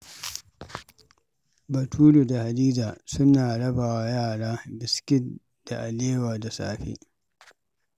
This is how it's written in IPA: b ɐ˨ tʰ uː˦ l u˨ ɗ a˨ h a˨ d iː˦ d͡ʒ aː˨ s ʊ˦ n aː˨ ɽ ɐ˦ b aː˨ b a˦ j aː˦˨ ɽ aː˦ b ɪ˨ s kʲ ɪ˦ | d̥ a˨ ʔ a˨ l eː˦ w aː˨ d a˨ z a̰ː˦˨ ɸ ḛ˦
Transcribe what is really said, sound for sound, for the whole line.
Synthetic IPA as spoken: b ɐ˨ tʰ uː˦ l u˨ d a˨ h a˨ d iː˦ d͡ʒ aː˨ s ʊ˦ n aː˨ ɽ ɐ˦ b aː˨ w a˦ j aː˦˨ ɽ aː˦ b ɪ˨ s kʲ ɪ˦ | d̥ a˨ ʔ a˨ l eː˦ w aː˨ d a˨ s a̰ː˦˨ ɸ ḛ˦